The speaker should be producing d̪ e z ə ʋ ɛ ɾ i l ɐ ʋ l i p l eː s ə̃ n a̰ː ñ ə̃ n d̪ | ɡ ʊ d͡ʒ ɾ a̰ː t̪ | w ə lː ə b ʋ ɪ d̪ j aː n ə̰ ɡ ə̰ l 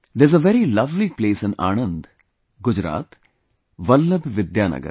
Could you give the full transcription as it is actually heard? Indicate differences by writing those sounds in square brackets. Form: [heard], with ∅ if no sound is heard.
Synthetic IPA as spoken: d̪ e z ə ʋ ɛ ɾ i l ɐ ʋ l i p l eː s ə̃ n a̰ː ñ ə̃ n d̪ | ɡ ʊ d͡ʒ ɾ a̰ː t̪ | [ʋ] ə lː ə b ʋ ɪ d̪ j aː n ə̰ ɡ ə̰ [ɾ]